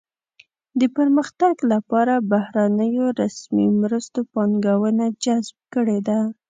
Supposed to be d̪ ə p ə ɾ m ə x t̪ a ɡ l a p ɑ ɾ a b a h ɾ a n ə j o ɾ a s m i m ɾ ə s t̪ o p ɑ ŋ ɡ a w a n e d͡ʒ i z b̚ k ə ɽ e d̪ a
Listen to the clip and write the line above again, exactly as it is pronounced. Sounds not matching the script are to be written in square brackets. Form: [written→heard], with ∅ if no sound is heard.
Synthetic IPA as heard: d̪ ə p ə ɾ m ə x t̪ a ɡ l a p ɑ ɾ a b a h ɾ a n ə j o ɾ a s m i m ɾ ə s t̪ o p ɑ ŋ ɡ a w [a→ə] n [e→a] d͡ʒ [i→a] z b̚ k ə ɽ e d̪ a